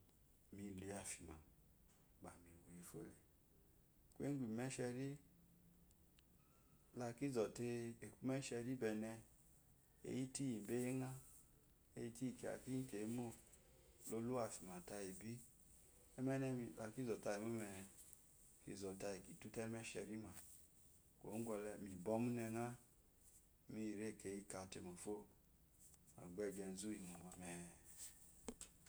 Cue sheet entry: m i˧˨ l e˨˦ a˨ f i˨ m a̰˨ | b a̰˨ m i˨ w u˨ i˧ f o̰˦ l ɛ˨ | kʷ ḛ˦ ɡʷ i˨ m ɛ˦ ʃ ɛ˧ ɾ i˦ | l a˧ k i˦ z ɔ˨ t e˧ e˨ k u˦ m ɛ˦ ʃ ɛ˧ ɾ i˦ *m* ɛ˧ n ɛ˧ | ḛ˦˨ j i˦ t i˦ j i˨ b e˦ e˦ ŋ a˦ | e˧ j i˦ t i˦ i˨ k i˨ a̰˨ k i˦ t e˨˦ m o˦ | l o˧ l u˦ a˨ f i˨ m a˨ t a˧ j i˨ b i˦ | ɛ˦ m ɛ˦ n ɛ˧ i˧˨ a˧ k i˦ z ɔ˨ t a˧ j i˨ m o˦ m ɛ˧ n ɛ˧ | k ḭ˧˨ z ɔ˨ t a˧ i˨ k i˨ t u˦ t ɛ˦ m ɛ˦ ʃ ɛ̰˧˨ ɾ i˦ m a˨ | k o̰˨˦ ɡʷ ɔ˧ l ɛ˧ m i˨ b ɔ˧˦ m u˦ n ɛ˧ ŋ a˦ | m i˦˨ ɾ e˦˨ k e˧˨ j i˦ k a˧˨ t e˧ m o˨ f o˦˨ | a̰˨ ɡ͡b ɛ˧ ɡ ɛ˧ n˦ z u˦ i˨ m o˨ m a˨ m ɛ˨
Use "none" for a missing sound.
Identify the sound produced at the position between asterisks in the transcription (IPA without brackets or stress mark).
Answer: b